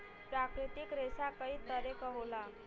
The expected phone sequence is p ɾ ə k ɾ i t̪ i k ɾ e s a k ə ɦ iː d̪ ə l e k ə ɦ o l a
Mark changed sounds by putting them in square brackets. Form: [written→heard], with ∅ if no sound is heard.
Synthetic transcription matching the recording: p ɾ [ə→a] k ɾ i t̪ i k ɾ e s a k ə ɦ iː [d̪→t̪] ə [l→ɾ] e k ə ɦ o l a